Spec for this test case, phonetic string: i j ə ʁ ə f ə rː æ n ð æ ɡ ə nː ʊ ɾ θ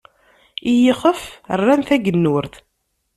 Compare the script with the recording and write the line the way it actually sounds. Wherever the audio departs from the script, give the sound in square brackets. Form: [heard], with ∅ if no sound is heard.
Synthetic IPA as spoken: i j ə [χ] ə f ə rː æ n [θ] æ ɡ ə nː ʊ ɾ θ